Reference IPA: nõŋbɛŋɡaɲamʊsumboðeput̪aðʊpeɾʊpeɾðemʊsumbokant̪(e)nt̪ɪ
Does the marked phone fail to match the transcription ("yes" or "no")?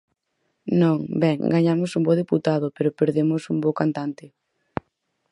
yes